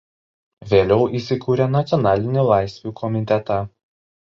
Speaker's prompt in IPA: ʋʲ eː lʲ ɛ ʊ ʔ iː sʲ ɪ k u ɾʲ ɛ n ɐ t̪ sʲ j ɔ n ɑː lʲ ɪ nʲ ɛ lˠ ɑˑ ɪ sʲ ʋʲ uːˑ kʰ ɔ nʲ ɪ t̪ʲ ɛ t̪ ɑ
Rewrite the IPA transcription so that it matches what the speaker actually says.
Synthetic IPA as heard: ʋʲ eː lʲ ɛ ʊ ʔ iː sʲ ɪ k uː ɾʲ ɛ n ɐ t̪ sʲ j ɔ n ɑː lʲ ɪ nʲ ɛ lˠ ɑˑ ɪ sʲ ʋʲ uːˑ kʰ ɔ mʲ ɪ t̪ʲ ɛ t̪ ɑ

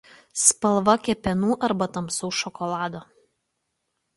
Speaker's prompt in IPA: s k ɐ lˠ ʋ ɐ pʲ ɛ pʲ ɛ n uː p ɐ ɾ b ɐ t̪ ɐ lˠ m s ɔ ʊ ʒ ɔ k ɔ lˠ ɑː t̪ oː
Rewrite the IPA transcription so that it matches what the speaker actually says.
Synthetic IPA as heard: s p ɐ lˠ ʋ ɐ kʲ ɛ pʲ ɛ n uː ʔ ɐ ɾ b ɐ t̪ ɐ m s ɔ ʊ ʃ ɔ k ɔ lˠ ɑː d̪ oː

